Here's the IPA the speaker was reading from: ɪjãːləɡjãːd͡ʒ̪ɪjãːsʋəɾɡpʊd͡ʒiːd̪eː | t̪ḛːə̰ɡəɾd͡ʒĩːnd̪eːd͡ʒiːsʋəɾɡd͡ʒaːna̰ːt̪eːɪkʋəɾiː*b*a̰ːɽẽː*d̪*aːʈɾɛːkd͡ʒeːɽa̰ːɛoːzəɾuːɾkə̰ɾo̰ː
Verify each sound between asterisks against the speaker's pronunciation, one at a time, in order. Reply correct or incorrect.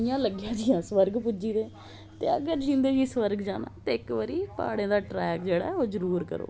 incorrect, correct

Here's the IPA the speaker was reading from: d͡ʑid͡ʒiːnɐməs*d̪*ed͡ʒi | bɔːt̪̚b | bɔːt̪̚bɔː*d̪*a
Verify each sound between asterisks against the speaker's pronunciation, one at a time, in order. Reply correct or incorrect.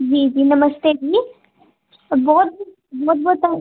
incorrect, incorrect

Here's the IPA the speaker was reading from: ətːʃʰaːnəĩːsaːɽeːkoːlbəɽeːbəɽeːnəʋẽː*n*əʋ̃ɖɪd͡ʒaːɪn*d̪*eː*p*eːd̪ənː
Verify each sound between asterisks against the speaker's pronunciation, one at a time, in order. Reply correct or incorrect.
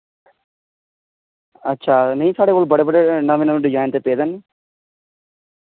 correct, incorrect, correct

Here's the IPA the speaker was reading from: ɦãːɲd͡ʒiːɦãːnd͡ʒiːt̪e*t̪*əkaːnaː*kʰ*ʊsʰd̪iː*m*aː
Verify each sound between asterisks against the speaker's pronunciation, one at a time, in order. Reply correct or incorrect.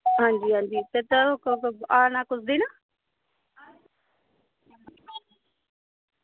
correct, incorrect, incorrect

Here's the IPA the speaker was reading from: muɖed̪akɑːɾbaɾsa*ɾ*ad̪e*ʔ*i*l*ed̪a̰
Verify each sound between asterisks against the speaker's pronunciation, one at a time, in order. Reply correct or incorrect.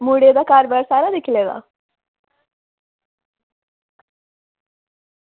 correct, incorrect, correct

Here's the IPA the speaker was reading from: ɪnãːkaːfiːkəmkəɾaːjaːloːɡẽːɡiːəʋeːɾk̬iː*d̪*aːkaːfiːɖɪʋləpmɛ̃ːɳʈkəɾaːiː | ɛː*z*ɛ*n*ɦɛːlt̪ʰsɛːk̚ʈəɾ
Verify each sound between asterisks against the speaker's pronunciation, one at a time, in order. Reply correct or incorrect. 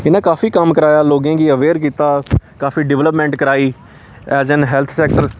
incorrect, correct, correct

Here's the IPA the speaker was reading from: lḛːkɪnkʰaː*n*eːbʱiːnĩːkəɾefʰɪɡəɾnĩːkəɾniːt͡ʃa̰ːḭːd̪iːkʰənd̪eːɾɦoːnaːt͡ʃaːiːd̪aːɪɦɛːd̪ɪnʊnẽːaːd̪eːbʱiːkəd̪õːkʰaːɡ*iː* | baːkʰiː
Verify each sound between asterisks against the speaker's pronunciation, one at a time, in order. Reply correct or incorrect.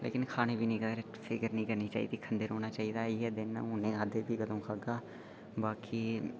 correct, incorrect

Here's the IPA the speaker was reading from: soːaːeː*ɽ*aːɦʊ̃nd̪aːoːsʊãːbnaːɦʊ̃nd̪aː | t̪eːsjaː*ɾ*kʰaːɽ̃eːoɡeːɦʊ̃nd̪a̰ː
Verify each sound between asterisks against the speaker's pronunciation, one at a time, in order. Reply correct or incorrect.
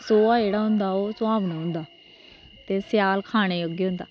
correct, incorrect

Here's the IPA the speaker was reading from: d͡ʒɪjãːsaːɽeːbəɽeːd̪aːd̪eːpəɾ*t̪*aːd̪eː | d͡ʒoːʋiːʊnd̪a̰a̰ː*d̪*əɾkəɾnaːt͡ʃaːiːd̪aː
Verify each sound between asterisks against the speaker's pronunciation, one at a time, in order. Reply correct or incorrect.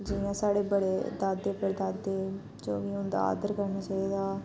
incorrect, correct

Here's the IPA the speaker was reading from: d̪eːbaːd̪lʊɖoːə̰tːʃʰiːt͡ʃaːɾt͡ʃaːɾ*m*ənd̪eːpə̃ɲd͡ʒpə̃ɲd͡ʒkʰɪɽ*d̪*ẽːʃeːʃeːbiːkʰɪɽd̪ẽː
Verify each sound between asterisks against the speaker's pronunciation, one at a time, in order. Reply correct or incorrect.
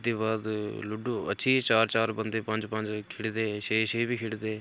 incorrect, correct

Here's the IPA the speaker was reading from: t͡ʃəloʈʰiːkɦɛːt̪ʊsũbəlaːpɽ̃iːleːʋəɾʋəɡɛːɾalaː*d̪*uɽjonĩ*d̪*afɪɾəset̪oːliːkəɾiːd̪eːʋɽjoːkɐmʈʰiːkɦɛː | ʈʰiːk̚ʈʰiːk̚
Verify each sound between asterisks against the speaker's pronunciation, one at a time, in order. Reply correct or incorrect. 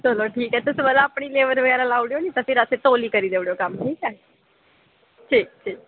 incorrect, incorrect

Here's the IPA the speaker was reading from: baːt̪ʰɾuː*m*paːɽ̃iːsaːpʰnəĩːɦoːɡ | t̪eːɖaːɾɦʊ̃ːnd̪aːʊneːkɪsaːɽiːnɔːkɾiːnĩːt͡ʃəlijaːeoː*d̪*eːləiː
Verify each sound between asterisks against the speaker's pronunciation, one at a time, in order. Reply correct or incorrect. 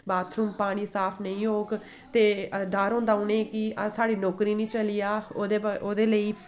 correct, correct

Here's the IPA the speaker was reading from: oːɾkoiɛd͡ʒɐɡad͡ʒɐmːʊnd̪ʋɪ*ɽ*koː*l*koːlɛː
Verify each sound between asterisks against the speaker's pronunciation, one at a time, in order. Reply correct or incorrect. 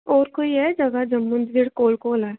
correct, correct

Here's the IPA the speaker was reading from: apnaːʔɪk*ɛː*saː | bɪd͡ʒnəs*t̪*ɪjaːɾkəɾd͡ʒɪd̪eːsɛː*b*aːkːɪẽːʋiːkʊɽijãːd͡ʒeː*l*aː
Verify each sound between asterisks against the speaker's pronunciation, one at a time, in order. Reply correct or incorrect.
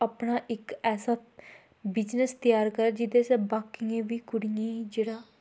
correct, correct, correct, incorrect

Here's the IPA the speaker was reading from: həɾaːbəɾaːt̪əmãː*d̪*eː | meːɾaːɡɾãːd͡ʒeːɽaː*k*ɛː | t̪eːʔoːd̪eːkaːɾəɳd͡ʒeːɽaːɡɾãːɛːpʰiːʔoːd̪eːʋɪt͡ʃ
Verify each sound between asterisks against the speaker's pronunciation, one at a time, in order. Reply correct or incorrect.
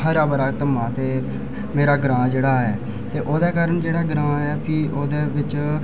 incorrect, incorrect

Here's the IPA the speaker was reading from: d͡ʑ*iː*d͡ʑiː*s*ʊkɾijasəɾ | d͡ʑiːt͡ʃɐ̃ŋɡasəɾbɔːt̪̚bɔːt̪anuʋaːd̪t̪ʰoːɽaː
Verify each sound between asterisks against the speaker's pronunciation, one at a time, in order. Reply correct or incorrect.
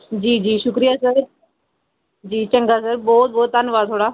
correct, incorrect

